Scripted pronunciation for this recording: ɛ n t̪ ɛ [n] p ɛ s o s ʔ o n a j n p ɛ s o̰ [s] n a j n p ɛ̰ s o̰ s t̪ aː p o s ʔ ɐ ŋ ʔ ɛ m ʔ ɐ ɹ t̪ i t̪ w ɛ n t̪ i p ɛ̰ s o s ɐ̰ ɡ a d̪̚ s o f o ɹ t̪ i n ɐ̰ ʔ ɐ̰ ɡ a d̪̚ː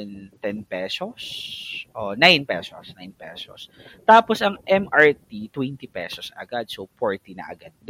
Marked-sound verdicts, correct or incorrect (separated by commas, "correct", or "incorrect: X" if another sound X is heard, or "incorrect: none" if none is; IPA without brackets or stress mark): correct, correct